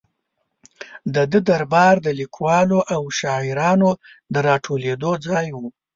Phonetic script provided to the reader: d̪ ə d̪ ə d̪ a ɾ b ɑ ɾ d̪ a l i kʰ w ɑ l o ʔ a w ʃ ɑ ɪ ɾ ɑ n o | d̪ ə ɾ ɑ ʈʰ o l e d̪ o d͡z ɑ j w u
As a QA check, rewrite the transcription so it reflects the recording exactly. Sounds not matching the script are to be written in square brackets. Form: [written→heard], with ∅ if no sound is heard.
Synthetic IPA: d̪ ə d̪ ə d̪ a ɾ b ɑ ɾ d̪ [a→ə] l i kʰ w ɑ l o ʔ a w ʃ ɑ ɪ ɾ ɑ n o | d̪ ə ɾ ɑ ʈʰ o l e d̪ o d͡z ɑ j w u